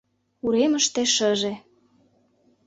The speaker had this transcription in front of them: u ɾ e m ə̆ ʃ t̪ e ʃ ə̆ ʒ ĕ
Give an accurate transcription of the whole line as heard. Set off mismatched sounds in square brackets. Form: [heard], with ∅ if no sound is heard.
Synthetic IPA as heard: u ɾ e m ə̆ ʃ t̪ e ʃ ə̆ ʒ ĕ